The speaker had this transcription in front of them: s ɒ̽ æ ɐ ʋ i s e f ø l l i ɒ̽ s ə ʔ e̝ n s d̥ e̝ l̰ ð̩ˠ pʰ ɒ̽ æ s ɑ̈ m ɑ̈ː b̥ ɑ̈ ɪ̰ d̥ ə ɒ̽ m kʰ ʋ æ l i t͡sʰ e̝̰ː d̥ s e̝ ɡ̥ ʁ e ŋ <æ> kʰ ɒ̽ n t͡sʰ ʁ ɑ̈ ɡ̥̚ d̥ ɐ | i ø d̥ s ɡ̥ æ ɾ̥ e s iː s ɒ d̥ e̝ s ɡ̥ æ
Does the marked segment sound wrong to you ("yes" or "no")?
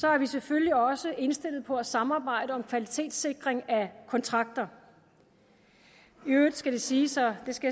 no